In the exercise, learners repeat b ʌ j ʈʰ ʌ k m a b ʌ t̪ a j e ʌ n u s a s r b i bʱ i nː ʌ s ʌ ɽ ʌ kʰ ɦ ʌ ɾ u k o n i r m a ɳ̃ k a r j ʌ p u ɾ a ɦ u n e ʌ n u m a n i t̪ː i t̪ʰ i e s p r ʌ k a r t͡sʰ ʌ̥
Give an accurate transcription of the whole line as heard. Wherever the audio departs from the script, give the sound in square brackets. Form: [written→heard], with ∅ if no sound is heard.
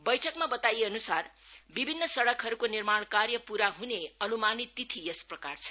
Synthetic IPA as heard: b ʌ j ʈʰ ʌ k m a b ʌ t̪ a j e ʌ n u s a [s→∅] r b i bʱ i nː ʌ s ʌ ɽ ʌ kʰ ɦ ʌ ɾ u k o n i r m a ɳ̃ k a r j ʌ p u ɾ a ɦ u n e ʌ n u m a n i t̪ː i t̪ʰ i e s p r ʌ k a r t͡sʰ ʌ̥